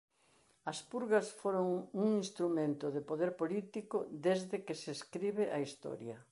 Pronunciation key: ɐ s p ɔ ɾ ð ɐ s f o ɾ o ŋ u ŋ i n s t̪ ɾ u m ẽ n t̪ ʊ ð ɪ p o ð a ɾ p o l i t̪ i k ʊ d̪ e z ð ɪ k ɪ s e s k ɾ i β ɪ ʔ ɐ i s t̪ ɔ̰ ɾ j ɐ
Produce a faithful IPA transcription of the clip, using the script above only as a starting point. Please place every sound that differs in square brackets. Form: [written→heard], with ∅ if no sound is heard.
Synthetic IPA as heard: ɐ s p [ɔ→u] ɾ [ð→ɣ] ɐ s f o ɾ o ŋ u ŋ i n s t̪ ɾ u m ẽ n t̪ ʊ ð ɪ p o ð [a→e] ɾ p o l i t̪ i k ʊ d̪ e z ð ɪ k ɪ s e s k ɾ i β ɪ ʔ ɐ i s t̪ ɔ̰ ɾ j ɐ